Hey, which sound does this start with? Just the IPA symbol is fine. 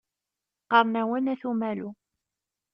q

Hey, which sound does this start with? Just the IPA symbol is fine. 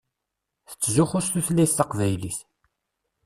θ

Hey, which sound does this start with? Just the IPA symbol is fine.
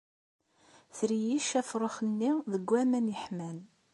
θ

